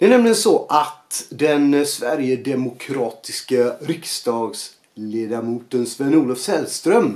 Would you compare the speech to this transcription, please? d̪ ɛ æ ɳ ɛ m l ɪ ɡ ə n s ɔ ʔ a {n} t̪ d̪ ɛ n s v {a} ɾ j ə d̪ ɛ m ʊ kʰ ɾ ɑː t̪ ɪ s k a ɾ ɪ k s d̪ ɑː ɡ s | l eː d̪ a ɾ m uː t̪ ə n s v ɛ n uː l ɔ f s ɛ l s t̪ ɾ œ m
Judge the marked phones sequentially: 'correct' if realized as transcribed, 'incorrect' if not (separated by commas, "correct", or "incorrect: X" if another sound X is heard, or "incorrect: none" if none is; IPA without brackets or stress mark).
incorrect: none, incorrect: æ